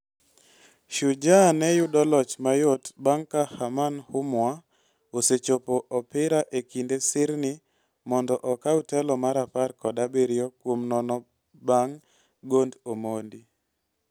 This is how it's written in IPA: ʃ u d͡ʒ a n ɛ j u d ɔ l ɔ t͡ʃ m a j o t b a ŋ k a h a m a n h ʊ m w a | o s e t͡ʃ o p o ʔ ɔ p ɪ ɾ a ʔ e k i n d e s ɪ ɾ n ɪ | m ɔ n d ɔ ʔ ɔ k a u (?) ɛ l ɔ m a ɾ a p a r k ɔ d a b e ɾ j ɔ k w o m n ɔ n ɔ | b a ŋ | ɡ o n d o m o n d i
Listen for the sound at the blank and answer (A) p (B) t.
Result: B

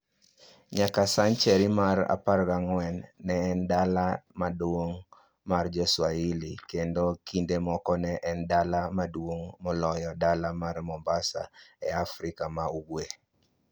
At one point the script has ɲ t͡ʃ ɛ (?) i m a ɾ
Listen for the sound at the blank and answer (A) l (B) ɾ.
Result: B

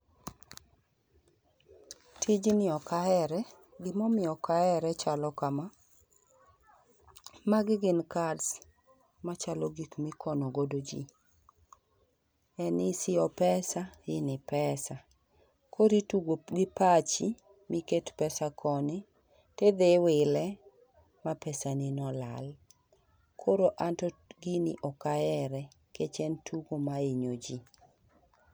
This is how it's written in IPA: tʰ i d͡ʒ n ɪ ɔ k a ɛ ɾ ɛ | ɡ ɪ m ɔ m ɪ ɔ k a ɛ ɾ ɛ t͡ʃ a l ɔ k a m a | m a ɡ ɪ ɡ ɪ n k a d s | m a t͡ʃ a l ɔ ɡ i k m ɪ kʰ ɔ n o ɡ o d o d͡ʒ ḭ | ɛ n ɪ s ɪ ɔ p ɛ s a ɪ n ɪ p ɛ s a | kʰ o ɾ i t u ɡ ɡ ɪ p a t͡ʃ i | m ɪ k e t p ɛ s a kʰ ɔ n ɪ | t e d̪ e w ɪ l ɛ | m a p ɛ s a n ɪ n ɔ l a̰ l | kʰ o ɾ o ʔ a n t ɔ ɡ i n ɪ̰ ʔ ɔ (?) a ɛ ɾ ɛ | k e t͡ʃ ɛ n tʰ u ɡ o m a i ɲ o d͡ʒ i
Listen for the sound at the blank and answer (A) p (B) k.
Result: B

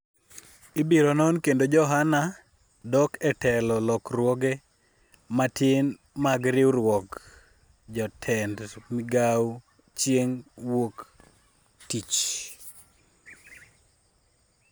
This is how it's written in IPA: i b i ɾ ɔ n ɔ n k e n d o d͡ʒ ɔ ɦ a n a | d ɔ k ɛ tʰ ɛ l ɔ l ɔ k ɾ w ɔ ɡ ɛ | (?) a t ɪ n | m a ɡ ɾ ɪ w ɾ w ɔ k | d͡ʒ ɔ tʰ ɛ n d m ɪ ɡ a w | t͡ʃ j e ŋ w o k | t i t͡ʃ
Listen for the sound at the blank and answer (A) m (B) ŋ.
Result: A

